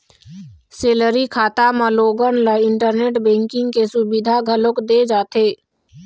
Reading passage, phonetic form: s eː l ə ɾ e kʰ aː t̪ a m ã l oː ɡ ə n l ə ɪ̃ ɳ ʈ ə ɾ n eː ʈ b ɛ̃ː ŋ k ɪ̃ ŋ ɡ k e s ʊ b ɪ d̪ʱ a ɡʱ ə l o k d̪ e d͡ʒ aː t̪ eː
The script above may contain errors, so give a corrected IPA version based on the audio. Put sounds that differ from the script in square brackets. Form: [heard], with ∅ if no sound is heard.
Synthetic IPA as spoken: s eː l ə ɾ [i] kʰ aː t̪ a m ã l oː ɡ ə n l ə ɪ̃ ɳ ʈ ə ɾ n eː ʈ b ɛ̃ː ŋ k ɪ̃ ŋ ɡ k e s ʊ b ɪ d̪ʱ a ɡʱ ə l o k d̪ e d͡ʒ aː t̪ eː